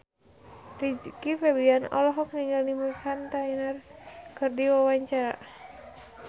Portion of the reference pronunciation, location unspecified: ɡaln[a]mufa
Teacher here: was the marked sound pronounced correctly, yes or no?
no